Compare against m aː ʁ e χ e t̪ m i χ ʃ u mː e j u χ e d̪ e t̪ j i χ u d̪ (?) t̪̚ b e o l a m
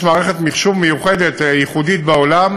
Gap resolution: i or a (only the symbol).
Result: i